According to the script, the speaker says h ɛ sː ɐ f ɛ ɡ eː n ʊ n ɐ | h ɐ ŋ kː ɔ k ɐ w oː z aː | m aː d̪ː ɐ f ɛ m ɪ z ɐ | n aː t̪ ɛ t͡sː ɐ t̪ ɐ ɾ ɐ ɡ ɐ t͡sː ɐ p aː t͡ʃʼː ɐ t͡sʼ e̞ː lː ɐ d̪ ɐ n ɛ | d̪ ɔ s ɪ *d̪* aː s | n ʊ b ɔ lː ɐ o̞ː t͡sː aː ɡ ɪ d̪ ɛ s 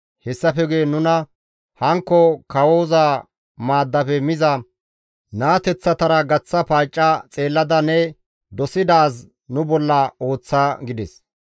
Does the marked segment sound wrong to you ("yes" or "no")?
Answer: no